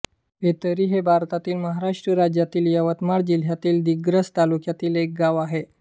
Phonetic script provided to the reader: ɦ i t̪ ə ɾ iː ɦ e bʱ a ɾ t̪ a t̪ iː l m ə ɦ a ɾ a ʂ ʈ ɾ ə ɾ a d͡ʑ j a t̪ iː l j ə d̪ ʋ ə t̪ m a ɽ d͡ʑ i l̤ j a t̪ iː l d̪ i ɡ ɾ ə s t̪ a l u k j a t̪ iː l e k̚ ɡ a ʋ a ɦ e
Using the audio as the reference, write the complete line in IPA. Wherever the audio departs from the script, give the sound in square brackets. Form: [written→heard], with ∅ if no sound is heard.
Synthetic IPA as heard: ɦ [i→e] t̪ ə ɾ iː ɦ e bʱ a ɾ t̪ a t̪ iː l m ə ɦ a ɾ a ʂ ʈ ɾ ə ɾ a d͡ʑ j a t̪ iː l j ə [d̪→∅] ʋ ə t̪ m a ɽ d͡ʑ i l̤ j a t̪ iː l d̪ i ɡ ɾ ə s t̪ a l u k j a t̪ iː l e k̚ ɡ a ʋ a ɦ e